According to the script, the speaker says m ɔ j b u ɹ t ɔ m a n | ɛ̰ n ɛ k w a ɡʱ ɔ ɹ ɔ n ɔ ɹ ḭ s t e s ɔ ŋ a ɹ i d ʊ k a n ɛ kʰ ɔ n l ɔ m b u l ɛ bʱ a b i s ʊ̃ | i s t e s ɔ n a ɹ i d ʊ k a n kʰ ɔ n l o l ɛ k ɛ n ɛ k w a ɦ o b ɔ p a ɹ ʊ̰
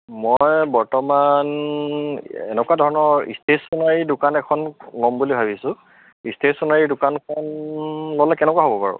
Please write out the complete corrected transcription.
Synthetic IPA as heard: m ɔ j b ɔ ɹ t ɔ m a n | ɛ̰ n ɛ k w a dʱ ɔ ɹ ɔ n ɔ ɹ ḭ s t e s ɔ n a ɹ i d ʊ k a n ɛ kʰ ɔ n l ɔ m b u l i bʱ a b i s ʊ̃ | i s t e s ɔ n a ɹ i d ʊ k a n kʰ ɔ n l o l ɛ k ɛ n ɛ k w a ɦ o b ɔ p a ɹ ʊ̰